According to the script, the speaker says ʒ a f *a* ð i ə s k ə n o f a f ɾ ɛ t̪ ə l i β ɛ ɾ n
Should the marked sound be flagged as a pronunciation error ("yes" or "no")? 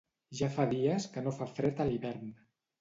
no